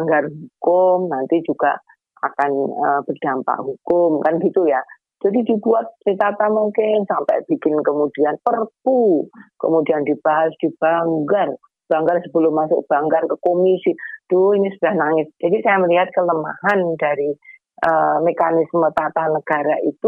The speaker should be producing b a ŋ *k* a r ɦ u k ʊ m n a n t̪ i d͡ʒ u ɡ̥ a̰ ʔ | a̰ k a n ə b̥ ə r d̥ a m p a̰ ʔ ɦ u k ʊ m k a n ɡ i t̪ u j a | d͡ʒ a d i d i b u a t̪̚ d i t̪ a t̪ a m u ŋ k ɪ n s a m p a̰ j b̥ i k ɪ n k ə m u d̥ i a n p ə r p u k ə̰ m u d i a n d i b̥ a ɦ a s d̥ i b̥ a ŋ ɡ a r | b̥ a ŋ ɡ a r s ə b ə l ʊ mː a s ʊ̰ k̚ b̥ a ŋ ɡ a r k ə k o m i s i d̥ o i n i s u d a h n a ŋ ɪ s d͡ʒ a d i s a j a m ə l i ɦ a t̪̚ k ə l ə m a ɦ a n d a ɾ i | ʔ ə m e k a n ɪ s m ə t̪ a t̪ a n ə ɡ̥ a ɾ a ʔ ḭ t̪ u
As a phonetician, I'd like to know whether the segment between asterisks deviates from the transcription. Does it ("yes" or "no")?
yes